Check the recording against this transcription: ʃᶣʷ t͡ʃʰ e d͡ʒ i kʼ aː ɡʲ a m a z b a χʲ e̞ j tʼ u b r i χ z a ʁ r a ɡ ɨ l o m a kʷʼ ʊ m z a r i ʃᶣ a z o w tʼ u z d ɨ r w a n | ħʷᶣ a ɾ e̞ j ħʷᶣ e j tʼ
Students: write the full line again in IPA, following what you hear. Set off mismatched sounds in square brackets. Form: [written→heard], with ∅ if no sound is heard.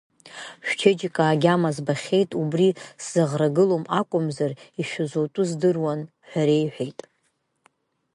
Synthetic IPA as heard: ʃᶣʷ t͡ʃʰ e d͡ʒ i kʼ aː ɡʲ a m a z b a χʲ e̞ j tʼ u b r i [χ→s] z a ʁ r a ɡ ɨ l o m a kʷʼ ʊ m z a r i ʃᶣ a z o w tʼ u z d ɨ r w a n | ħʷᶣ a ɾ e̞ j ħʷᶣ e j tʼ